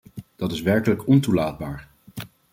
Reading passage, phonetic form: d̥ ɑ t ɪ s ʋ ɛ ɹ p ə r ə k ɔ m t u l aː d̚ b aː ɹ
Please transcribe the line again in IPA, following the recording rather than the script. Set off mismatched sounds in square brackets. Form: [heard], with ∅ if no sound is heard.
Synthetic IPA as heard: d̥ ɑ t ɪ s ʋ ɛ ɹ [k] ə [l] ə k ɔ [n] t u l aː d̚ b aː ɹ